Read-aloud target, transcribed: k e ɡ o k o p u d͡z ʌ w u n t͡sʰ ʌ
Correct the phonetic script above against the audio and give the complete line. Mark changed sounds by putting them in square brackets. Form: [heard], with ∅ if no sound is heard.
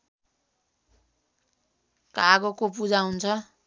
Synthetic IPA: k [a] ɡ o k o p u d͡z [a] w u n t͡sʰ ʌ